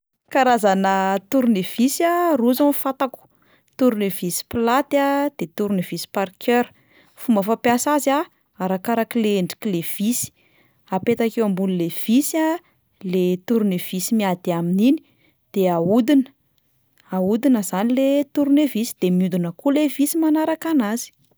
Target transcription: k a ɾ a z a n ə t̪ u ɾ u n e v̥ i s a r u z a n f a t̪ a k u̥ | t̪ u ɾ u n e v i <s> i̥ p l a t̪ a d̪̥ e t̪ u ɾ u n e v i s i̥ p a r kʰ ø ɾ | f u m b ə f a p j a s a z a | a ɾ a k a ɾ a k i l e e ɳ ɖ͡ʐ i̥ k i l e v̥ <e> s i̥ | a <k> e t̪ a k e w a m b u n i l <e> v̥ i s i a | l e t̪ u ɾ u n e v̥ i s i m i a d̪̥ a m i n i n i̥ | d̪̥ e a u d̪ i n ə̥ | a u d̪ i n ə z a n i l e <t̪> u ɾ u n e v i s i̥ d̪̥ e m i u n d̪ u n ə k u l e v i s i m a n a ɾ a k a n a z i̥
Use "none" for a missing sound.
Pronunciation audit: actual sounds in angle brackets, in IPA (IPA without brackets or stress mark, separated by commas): s, i, p, e, t̪